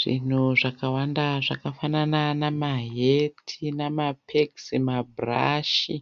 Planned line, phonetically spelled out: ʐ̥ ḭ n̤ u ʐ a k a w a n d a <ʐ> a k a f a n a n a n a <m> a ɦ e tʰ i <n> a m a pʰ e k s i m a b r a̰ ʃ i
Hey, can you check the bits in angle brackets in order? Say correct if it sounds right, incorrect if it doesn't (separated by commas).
correct, correct, correct